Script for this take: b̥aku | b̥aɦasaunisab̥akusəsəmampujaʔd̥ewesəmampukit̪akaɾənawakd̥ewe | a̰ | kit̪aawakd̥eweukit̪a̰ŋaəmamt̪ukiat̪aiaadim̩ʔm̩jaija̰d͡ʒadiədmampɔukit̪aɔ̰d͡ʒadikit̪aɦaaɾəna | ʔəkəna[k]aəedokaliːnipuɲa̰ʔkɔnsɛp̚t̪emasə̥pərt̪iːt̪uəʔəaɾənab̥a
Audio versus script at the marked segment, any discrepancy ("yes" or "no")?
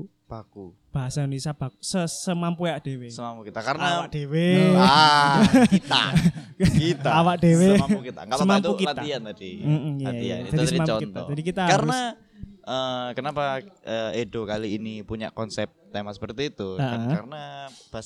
yes